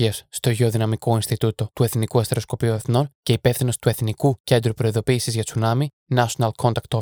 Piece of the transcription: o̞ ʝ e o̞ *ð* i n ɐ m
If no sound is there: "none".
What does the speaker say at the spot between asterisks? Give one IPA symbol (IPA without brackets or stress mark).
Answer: ð